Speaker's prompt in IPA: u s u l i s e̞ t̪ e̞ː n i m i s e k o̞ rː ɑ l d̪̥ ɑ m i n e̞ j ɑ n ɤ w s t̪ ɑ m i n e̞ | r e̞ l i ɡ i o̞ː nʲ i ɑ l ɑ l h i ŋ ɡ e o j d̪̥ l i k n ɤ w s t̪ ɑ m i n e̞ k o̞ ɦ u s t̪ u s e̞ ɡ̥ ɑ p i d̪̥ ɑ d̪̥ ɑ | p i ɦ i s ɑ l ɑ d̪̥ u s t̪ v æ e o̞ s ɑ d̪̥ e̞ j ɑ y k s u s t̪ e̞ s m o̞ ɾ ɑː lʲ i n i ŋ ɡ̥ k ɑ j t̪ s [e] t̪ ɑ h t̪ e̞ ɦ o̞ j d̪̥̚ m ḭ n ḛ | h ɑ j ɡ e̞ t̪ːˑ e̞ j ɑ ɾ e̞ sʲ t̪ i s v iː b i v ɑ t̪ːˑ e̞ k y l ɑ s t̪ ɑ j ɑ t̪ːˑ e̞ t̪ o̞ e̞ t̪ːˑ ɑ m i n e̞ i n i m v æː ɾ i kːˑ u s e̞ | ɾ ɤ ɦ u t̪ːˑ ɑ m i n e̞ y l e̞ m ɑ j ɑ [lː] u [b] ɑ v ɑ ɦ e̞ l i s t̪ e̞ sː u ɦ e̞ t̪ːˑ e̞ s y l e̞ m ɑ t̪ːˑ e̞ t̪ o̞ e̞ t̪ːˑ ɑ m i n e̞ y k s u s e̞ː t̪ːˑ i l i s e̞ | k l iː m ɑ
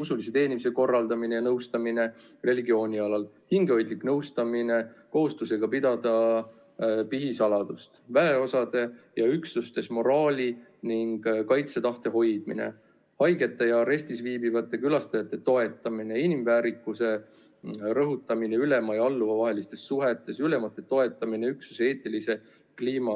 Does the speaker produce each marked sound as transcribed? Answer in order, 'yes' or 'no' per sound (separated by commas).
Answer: yes, yes, no